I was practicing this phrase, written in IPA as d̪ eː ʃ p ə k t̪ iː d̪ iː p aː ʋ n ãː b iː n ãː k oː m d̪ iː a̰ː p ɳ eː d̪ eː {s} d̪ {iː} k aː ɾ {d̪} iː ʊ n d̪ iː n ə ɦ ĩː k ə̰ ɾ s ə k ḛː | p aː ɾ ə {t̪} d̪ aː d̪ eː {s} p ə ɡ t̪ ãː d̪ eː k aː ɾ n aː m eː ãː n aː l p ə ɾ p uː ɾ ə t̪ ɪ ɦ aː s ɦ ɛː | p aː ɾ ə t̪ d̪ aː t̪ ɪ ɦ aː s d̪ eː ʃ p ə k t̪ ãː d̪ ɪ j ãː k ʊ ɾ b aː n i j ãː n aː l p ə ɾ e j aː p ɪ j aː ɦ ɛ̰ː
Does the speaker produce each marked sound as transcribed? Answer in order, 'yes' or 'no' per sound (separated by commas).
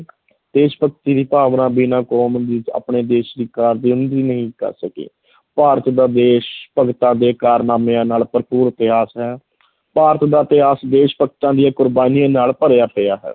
no, yes, yes, yes, no